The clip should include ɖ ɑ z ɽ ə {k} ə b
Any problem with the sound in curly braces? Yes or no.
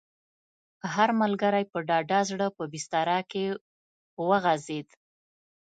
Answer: yes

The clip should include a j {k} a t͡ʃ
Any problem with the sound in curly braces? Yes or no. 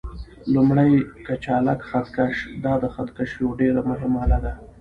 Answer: no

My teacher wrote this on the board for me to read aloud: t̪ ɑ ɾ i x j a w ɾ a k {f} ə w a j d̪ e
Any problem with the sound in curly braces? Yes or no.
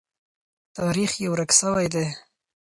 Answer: yes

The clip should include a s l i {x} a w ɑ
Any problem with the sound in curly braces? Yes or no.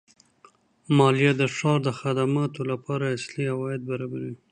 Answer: yes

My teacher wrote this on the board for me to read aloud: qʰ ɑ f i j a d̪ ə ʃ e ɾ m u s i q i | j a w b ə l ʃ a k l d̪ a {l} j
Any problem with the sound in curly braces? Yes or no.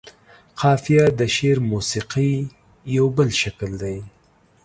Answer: yes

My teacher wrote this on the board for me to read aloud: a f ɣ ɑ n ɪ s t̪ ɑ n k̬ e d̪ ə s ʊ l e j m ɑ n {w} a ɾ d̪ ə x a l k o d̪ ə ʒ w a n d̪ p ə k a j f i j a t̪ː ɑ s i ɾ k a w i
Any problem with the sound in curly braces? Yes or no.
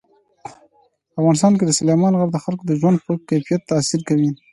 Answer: yes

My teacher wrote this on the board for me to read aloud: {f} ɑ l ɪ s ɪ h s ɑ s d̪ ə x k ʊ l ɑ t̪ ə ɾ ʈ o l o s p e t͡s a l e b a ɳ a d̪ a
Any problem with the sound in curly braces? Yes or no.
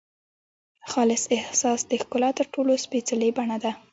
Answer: yes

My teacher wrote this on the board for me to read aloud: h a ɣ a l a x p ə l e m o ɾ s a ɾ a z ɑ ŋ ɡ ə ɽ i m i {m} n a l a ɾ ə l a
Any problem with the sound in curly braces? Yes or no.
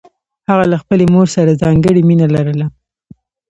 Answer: yes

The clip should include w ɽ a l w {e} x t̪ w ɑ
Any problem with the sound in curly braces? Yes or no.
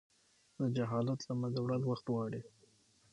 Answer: yes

